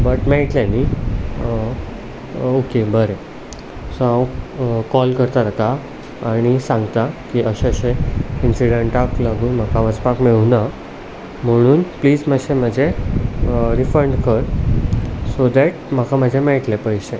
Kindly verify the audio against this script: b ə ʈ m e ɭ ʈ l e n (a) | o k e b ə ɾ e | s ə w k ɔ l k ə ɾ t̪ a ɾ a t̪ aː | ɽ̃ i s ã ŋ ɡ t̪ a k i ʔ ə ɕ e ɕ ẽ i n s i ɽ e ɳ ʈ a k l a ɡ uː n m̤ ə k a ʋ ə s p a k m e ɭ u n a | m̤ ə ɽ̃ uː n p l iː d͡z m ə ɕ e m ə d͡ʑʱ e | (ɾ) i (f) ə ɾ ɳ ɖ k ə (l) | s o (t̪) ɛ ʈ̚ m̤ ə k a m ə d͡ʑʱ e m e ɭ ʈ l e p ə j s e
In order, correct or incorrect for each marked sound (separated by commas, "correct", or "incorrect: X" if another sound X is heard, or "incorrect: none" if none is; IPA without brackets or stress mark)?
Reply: incorrect: i, correct, correct, incorrect: ɾ, incorrect: d̪